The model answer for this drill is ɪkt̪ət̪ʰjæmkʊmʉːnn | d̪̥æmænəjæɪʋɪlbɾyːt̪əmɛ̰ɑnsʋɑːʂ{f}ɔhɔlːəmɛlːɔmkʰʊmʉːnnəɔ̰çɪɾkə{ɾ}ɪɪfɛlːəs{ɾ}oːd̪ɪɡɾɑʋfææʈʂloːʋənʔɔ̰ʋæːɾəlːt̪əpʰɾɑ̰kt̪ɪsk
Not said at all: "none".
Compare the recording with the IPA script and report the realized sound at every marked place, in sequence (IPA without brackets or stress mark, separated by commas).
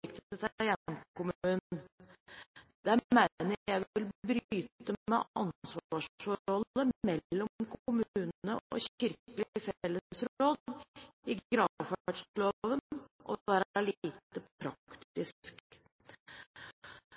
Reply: f, l, ɾ